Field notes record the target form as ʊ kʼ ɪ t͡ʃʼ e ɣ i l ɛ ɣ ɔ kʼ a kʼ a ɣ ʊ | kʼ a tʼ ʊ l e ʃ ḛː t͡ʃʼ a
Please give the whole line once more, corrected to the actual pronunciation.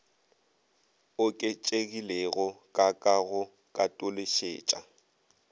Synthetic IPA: ʊ kʼ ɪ t͡ʃʼ e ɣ i l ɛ ɣ ɔ kʼ a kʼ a ɣ ʊ | kʼ a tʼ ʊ l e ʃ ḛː t͡ʃʼ a